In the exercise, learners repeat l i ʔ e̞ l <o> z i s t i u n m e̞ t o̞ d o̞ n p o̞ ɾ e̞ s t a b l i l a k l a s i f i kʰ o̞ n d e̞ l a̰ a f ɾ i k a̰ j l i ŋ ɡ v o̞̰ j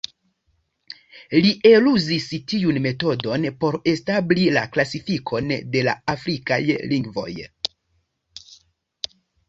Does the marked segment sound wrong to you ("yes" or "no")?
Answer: yes